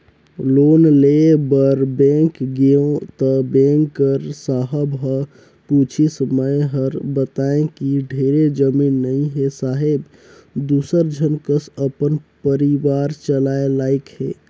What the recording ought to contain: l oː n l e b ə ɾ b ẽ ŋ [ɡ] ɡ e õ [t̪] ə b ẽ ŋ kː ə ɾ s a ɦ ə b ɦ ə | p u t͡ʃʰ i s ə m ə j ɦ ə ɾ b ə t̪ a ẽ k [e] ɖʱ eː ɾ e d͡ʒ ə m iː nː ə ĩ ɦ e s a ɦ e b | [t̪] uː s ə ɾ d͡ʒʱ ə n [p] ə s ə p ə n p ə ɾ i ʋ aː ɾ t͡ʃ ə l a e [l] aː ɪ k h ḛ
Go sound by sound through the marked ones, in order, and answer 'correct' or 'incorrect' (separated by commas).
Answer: incorrect, correct, incorrect, incorrect, incorrect, correct